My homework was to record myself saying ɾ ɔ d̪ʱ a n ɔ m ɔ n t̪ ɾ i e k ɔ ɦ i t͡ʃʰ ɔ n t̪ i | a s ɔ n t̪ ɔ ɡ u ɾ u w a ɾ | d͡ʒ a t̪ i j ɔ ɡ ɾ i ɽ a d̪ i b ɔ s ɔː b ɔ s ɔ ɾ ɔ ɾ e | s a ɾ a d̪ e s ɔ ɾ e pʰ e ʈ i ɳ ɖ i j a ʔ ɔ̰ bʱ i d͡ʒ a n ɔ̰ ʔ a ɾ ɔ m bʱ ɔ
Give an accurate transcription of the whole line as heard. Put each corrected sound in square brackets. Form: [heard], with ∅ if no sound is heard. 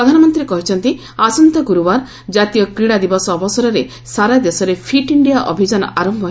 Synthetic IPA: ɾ ɔ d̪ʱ a n ɔ m ɔ n t̪ ɾ i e k ɔ ɦ i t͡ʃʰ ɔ n t̪ i | a s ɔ n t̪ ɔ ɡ u ɾ u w a ɾ | d͡ʒ a t̪ i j ɔ [k] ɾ i ɽ a d̪ i b ɔ s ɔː b ɔ s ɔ ɾ ɔ ɾ e | s a ɾ a d̪ e s ɔ ɾ e pʰ [i] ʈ i ɳ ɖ i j a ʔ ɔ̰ bʱ i d͡ʒ a n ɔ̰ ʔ a ɾ ɔ m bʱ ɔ